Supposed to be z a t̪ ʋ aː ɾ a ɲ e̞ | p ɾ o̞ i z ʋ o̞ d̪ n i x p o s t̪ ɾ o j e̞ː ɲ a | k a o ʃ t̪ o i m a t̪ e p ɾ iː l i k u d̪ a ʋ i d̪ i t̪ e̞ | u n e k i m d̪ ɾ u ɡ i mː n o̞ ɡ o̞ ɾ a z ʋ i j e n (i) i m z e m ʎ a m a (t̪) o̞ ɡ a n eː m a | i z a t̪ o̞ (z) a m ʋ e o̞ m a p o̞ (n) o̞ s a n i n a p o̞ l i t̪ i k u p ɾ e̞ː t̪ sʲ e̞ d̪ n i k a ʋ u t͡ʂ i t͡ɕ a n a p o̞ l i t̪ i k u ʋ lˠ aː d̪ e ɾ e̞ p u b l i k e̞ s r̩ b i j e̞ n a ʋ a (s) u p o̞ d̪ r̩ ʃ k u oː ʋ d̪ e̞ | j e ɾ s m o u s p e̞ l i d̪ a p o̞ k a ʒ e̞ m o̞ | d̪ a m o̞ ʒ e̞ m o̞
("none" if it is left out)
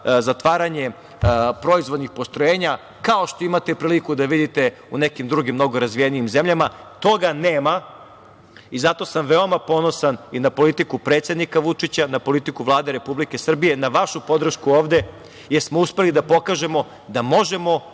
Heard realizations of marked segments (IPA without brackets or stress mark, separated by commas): i, t̪, s, n, ʃ